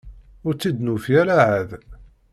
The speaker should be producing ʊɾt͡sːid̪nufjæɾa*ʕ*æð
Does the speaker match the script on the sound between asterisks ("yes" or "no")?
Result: yes